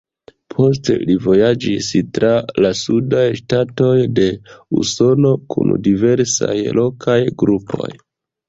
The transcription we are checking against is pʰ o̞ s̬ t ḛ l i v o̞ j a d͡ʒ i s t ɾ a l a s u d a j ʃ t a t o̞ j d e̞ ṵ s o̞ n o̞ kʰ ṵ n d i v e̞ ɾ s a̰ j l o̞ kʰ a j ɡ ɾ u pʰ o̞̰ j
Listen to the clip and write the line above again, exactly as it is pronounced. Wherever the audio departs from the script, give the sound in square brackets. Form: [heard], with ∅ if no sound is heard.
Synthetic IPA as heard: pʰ o̞ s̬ t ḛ l i v o̞ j a d͡ʒ i s t ɾ a l a s u d a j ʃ t a t o̞ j d e̞ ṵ s o̞ n o̞ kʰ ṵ n d i v e̞ ɾ s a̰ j l o̞ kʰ a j ɡ ɾ u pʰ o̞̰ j